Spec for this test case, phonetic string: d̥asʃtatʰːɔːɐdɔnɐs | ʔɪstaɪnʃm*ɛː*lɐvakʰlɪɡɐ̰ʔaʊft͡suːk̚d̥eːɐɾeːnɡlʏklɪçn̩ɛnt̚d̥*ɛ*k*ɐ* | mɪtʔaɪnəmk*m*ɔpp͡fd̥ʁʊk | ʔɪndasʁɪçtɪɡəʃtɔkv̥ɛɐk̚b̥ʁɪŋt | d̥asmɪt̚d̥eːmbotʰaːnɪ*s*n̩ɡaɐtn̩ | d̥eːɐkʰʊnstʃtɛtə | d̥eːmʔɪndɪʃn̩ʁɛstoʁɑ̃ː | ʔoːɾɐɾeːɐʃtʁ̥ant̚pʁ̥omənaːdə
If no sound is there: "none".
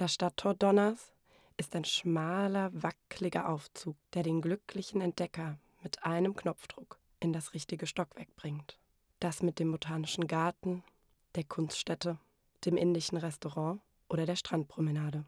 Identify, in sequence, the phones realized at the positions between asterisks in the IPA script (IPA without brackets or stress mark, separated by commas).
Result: aː, ɛ, ɐ, n, ʃ